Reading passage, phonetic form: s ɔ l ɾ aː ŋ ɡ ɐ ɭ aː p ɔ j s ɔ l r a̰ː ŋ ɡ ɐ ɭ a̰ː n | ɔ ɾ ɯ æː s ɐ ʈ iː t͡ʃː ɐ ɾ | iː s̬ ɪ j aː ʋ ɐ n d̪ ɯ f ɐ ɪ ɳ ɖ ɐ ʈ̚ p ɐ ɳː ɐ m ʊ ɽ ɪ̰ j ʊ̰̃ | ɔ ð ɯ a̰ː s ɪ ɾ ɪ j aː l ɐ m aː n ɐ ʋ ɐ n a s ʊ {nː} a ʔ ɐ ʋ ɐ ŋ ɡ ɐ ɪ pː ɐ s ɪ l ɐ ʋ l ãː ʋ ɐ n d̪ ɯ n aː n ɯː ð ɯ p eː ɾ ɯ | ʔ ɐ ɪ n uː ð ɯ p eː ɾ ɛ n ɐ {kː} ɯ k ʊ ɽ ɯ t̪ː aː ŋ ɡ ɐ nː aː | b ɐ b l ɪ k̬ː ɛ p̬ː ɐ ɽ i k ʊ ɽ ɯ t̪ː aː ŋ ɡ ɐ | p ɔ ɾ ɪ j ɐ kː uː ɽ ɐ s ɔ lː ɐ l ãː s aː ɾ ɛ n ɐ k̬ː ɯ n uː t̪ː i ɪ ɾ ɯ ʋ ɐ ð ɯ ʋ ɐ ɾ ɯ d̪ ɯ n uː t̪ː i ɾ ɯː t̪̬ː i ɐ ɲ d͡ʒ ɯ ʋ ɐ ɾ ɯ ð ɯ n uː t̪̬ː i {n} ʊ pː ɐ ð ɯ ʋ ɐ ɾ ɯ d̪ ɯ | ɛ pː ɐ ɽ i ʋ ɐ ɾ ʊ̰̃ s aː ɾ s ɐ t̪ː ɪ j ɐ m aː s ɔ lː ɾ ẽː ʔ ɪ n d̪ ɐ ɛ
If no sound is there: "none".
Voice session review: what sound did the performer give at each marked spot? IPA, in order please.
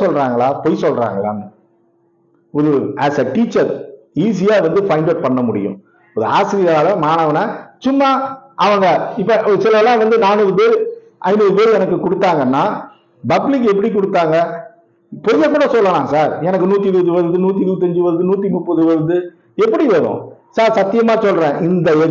mː, kː, m

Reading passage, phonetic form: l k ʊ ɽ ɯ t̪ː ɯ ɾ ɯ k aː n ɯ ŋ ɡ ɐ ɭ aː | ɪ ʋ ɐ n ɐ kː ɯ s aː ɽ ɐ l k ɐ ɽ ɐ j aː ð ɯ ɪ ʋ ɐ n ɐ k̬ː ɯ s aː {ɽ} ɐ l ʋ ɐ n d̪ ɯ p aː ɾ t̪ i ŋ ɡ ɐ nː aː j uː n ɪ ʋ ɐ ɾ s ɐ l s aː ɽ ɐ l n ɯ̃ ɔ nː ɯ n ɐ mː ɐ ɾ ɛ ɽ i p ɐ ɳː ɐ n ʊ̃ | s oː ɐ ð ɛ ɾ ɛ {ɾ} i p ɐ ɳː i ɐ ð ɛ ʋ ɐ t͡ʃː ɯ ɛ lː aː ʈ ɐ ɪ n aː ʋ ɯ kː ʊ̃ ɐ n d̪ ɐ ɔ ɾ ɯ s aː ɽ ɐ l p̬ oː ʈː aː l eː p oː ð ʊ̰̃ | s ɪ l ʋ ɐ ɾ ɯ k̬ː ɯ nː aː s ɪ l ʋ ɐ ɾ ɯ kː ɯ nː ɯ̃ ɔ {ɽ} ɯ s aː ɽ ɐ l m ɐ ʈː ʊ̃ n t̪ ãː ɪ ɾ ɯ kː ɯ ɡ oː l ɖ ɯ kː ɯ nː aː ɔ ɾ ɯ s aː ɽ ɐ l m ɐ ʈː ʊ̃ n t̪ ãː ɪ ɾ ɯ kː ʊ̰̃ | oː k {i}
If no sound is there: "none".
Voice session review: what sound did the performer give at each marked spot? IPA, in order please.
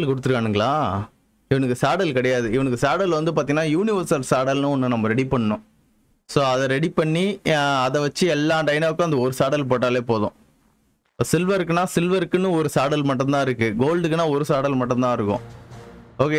ɽ, ɽ, ɾ, e

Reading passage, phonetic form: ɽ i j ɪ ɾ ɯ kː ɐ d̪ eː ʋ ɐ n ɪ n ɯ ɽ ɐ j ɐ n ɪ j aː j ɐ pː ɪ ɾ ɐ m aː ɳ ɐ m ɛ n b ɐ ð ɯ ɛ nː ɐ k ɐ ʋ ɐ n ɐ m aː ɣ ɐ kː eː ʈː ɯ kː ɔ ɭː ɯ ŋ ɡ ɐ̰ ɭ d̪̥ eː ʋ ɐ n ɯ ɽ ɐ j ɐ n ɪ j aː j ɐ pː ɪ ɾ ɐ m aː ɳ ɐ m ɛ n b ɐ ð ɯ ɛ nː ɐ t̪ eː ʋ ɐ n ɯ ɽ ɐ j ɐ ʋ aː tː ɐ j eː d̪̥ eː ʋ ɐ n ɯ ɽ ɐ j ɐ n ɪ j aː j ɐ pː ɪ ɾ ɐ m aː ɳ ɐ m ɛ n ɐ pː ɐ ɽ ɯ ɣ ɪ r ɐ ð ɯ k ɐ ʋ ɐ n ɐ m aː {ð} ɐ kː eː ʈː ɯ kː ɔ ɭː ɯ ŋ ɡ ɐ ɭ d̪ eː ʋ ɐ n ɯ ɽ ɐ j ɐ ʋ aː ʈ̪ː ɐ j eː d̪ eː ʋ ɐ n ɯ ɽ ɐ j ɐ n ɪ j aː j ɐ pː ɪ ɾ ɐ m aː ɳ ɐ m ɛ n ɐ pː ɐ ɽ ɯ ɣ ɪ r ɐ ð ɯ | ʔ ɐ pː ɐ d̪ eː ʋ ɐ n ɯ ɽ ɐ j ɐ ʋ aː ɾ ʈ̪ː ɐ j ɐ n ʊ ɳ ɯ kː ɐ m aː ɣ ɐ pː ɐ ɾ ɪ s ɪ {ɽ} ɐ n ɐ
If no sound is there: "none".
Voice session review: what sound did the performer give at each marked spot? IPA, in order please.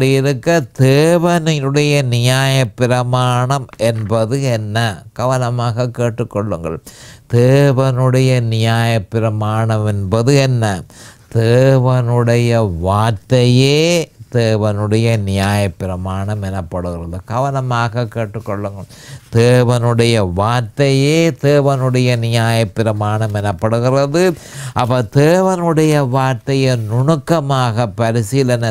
ɣ, l

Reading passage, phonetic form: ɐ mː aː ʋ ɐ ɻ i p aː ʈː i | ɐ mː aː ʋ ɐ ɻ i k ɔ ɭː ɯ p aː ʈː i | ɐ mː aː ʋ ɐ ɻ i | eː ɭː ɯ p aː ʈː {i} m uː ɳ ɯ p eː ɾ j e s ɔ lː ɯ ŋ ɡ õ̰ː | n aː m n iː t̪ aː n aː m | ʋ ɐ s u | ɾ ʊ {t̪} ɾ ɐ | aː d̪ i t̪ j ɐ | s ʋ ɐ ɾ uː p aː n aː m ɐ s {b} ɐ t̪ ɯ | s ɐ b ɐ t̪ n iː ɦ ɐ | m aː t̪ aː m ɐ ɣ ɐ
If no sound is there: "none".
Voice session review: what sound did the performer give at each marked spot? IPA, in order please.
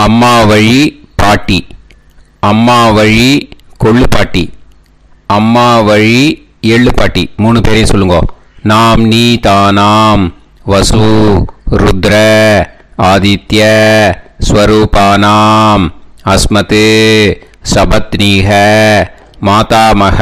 i, d̪, m

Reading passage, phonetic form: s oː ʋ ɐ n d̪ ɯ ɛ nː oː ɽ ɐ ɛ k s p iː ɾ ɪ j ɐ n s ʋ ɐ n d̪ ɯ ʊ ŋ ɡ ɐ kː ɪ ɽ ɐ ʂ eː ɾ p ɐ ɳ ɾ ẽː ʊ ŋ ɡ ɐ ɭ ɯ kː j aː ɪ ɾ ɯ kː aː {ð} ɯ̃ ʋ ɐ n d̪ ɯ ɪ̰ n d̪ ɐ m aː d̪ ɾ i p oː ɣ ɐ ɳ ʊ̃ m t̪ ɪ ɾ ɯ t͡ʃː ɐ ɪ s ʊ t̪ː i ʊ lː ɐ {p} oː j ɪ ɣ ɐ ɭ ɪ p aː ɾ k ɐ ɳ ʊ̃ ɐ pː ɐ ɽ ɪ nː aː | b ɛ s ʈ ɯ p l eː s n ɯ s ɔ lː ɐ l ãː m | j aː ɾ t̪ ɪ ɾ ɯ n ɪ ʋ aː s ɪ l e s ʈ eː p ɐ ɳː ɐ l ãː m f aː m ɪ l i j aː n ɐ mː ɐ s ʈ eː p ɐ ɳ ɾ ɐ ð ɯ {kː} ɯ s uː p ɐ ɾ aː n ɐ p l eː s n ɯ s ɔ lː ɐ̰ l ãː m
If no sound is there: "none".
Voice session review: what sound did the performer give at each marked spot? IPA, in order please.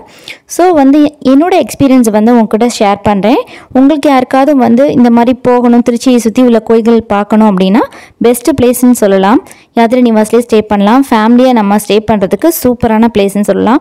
ð, k, kː

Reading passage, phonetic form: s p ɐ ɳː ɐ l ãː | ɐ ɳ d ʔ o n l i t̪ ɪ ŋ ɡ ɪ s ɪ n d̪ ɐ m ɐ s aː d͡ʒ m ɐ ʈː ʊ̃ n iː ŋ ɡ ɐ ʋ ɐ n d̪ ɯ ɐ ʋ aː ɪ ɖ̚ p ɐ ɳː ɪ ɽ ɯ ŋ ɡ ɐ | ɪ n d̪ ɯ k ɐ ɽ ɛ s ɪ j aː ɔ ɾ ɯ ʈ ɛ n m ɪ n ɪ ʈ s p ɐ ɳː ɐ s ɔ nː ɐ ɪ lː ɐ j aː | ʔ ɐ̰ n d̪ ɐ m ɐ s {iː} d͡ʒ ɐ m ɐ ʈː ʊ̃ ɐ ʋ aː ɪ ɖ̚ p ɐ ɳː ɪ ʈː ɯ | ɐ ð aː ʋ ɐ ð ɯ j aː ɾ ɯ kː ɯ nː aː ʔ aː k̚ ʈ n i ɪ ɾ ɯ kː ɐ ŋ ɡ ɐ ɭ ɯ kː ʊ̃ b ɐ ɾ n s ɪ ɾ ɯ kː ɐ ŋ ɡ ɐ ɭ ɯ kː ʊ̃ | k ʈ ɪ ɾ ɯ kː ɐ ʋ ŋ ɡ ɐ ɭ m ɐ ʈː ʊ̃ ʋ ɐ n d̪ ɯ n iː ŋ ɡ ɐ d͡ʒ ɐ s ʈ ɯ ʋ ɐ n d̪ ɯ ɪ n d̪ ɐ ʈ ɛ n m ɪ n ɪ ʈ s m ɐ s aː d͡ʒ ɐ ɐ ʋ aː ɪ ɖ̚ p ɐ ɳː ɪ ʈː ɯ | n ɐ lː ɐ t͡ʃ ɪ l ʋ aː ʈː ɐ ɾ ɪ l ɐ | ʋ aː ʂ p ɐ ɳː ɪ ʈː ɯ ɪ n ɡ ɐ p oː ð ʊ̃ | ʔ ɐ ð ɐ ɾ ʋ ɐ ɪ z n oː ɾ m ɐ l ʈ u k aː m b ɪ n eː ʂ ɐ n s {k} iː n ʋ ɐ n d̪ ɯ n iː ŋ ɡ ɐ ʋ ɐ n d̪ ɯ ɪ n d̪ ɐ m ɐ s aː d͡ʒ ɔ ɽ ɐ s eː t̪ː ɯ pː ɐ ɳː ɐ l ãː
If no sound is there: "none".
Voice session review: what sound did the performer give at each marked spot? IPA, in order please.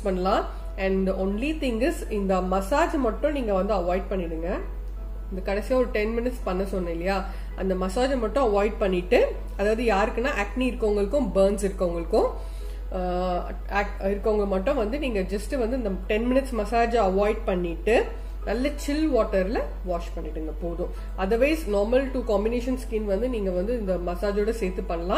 aː, k

